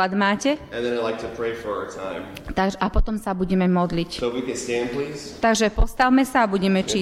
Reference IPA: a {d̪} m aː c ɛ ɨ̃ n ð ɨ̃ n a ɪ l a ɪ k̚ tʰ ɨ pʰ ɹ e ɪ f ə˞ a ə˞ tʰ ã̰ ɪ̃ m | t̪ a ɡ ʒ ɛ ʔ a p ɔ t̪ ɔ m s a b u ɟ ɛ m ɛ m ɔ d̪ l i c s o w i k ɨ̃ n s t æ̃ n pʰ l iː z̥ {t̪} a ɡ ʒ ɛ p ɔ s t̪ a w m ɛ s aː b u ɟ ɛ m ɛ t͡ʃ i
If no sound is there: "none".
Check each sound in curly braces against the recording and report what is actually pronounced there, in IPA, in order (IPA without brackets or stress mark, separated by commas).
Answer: d̪, t̪